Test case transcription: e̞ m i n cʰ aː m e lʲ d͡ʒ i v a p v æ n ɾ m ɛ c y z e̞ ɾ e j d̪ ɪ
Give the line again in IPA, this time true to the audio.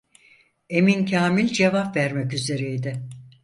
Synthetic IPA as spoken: e̞ m i n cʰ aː m i lʲ d͡ʒ e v a p v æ ɾ m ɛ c y z e̞ ɾ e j d̪ ɪ